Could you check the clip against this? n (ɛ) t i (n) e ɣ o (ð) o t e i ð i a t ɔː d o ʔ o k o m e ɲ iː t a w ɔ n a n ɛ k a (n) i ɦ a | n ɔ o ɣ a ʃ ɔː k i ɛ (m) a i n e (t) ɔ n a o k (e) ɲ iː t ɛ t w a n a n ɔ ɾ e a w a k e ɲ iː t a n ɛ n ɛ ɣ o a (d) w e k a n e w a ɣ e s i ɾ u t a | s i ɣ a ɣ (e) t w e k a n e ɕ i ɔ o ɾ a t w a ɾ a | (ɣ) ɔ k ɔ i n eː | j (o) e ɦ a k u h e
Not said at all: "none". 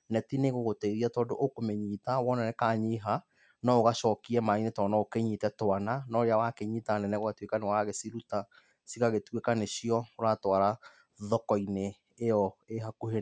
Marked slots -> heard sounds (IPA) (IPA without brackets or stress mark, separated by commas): ɛ, n, ɣ, ɲ, m, t, e, t, e, ð, ɔ